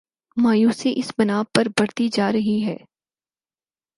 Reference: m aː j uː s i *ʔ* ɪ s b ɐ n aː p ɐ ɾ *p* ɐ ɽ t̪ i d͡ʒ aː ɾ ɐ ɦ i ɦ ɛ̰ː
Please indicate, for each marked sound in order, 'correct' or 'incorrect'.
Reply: correct, incorrect: b

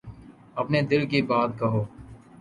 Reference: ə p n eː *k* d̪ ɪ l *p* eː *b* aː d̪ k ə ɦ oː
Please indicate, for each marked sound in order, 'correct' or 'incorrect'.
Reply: incorrect: none, incorrect: k, correct

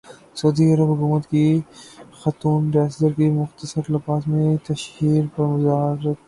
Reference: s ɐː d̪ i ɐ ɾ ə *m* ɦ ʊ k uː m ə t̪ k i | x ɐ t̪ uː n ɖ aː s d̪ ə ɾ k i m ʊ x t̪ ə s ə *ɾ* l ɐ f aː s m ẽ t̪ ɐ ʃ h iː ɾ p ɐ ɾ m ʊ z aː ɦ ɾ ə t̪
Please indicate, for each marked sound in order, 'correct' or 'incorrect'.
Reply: incorrect: b, correct

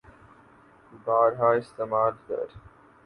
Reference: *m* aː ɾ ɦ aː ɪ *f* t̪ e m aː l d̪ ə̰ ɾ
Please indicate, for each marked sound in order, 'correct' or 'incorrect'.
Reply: incorrect: b, incorrect: s

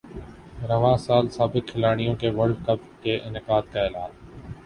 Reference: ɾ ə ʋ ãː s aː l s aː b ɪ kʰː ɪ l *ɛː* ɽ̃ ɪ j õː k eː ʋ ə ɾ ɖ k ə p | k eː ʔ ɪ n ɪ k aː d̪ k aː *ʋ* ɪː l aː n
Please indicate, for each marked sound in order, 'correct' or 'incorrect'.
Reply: incorrect: aː, incorrect: none

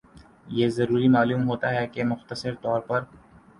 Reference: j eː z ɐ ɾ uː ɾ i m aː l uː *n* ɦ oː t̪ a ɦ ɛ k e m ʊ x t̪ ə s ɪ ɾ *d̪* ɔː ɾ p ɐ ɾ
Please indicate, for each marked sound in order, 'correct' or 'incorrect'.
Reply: incorrect: m, incorrect: t̪

